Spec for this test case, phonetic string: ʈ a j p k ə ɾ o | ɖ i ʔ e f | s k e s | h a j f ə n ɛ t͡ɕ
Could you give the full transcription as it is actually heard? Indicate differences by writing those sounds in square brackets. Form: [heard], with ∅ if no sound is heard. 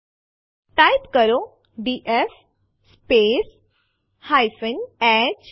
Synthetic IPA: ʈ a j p k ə ɾ o | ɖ i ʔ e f | s [p] e s | h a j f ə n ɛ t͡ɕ